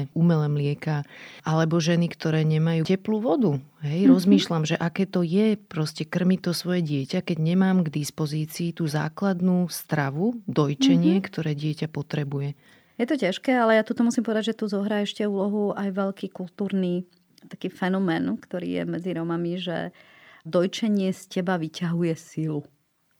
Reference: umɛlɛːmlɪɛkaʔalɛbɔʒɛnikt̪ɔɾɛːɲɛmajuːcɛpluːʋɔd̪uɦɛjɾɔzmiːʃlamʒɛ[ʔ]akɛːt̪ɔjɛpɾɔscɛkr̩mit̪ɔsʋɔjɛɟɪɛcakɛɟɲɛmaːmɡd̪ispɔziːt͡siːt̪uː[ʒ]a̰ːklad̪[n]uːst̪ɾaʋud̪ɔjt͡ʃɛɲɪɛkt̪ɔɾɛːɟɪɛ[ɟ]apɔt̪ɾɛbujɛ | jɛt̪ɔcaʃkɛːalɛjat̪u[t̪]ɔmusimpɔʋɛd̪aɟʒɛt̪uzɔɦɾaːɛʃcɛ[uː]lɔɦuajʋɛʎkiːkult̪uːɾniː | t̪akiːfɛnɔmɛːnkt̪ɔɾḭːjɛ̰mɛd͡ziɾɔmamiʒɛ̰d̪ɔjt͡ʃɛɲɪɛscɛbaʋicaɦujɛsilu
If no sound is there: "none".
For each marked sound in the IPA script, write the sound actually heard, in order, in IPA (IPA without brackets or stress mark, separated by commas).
ʔ, z, n, c, t̪, uː